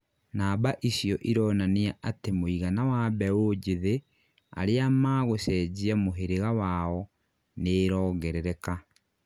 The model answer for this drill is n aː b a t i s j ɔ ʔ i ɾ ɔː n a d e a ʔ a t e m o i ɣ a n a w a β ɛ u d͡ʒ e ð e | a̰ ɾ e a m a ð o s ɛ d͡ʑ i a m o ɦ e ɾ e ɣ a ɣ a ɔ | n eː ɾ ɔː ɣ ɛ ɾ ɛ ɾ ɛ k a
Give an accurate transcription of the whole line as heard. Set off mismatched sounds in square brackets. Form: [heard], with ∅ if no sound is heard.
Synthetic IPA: n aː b a [ʔ] i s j ɔ ʔ i ɾ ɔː n a [n] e a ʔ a t e m o i ɣ a n a w a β ɛ [o] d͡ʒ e ð e | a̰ ɾ e a m a [ɣ] o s ɛ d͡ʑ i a m o ɦ e ɾ e ɣ a [w] a ɔ | n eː ɾ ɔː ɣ ɛ ɾ ɛ ɾ ɛ k a